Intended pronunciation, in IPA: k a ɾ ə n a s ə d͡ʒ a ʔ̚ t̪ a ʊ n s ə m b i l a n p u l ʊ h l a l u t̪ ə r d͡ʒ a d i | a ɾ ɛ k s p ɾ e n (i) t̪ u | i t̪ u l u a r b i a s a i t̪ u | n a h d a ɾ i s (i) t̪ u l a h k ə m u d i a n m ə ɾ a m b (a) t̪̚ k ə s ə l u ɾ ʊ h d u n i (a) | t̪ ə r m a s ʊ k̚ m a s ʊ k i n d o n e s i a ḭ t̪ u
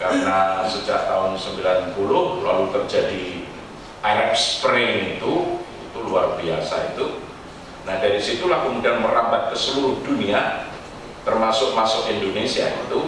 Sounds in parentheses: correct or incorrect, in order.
correct, correct, correct, correct

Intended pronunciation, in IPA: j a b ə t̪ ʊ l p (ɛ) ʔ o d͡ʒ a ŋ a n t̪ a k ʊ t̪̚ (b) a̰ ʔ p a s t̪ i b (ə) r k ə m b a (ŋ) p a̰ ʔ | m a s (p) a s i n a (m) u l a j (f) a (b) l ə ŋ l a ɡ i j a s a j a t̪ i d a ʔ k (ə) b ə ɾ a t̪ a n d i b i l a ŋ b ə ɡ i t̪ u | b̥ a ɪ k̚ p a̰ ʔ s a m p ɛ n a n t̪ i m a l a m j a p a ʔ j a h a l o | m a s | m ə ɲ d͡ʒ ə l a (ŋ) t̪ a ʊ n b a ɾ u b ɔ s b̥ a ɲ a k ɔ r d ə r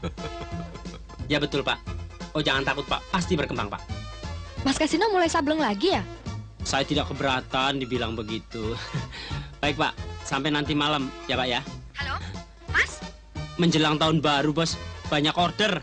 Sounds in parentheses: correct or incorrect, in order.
incorrect: a, incorrect: p, correct, correct, incorrect: k, correct, incorrect: s, correct, correct, correct

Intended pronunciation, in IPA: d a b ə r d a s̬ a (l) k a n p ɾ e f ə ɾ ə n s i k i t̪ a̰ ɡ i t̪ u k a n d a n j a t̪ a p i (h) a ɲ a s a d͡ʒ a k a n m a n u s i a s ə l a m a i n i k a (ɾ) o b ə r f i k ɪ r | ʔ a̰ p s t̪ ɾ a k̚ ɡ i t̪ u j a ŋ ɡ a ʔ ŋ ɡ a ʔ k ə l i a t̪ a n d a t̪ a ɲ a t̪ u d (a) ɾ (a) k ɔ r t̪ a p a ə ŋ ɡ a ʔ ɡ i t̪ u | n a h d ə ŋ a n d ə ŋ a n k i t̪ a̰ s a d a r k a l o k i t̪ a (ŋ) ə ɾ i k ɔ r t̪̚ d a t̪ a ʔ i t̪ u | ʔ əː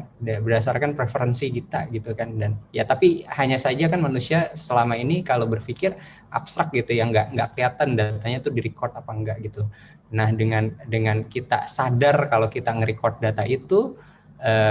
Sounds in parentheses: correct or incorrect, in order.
incorrect: r, correct, incorrect: l, incorrect: i, incorrect: i, correct

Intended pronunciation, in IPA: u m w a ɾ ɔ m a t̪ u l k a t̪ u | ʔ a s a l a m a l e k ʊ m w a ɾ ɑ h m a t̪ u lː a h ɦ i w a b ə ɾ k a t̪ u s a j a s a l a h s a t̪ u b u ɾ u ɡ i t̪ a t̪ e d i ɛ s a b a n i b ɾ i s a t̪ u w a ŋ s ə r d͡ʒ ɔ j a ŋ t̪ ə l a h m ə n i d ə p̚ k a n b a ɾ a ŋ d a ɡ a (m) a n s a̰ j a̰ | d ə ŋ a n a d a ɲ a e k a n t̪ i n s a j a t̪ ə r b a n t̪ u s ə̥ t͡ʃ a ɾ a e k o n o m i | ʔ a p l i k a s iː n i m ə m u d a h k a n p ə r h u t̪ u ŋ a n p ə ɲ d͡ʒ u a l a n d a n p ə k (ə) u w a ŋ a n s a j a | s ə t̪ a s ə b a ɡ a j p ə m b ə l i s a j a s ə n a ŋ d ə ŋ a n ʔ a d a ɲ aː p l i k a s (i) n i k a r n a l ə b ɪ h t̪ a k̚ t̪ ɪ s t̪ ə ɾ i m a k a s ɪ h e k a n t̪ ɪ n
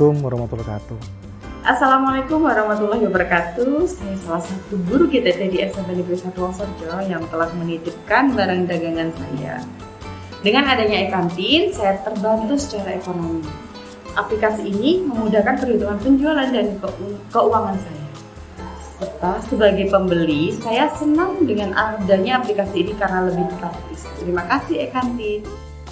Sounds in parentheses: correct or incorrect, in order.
incorrect: ŋ, correct, incorrect: iː

